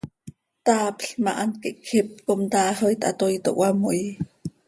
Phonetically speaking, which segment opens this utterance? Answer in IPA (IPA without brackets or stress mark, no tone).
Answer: t̪